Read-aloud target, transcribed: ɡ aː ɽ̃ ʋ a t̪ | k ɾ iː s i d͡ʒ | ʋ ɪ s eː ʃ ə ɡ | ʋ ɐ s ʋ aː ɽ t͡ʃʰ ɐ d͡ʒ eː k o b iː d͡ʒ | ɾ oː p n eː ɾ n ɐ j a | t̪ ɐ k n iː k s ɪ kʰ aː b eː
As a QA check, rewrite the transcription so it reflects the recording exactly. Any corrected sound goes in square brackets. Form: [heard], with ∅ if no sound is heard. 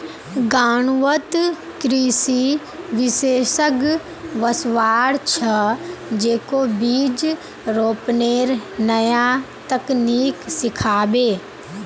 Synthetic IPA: ɡ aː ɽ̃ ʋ [ə] t̪ | k ɾ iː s i [∅] | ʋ ɪ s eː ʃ ə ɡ | ʋ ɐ s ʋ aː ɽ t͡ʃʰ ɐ d͡ʒ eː k o b iː d͡ʒ | ɾ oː p n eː ɾ n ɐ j a | t̪ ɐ k n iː k s ɪ kʰ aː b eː